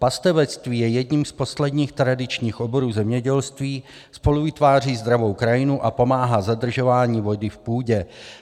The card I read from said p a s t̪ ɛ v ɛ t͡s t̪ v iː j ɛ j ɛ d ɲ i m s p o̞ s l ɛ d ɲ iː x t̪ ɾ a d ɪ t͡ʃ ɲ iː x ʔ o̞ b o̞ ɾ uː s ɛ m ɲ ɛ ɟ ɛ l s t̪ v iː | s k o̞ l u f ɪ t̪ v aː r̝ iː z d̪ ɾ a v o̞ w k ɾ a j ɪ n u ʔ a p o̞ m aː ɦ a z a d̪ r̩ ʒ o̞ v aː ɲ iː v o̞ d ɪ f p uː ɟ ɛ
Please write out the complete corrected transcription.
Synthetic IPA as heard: p a s t̪ ɛ v ɛ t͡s t̪ v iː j ɛ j ɛ d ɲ i m s p o̞ s l ɛ d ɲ iː x t̪ ɾ a d ɪ t͡ʃ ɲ iː x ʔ o̞ b o̞ ɾ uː z ɛ m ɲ ɛ ɟ ɛ l s t̪ v iː | s p o̞ l u v ɪ t̪ v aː r̝ iː z d̪ ɾ a v o̞ w k ɾ a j ɪ n u ʔ a p o̞ m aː ɦ a z a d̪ r̩ ʒ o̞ v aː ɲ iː v o̞ d ɪ f p uː ɟ ɛ